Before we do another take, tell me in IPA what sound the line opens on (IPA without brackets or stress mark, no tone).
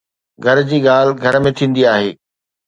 ɡʱ